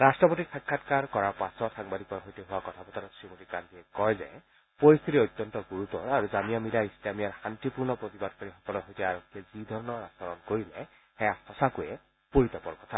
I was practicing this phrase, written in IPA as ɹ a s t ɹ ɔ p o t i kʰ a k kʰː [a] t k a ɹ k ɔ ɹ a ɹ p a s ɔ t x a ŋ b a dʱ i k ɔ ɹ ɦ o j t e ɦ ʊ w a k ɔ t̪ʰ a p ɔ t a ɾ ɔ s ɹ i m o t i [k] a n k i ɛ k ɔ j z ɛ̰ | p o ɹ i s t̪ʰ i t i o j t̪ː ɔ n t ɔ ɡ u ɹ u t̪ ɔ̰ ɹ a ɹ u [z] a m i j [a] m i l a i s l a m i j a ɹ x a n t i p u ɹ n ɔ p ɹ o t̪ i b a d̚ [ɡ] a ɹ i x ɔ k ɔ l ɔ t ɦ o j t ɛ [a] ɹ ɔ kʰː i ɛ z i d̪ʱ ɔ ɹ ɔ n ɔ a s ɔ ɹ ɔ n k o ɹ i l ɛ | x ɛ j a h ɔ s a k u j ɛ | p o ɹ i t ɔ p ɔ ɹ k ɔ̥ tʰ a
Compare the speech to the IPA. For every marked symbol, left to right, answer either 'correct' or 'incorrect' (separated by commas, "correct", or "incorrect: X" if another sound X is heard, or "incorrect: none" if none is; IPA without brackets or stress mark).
correct, correct, correct, correct, incorrect: k, correct